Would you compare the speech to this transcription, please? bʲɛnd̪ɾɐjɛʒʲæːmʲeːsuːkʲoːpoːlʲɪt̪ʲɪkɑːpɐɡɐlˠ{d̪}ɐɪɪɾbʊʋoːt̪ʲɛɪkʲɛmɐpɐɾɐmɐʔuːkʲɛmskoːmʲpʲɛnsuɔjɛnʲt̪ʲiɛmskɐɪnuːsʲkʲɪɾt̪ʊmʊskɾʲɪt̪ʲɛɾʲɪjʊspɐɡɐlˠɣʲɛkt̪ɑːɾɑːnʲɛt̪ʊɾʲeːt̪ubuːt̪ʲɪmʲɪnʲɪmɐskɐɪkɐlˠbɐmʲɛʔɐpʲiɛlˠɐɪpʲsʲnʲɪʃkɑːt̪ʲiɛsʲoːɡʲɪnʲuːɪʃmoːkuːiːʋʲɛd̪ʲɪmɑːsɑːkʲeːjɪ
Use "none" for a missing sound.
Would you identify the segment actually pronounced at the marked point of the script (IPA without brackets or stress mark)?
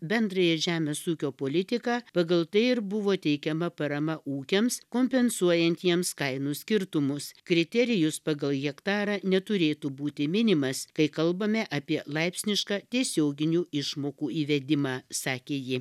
t̪